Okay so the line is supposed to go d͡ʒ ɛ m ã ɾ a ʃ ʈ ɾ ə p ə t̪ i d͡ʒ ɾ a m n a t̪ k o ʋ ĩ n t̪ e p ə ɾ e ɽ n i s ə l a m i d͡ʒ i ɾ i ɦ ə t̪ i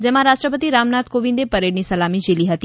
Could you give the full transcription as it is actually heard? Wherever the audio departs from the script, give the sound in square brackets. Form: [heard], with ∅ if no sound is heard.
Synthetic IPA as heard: d͡ʒ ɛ m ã ɾ a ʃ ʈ ɾ ə p ə t̪ i [∅] ɾ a m n a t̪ k o ʋ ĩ n [d̪] e p ə ɾ e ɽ n i s ə l a m i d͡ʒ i [l] i ɦ ə t̪ i